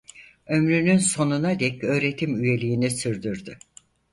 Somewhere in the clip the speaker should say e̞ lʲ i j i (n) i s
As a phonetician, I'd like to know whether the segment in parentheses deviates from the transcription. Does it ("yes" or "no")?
no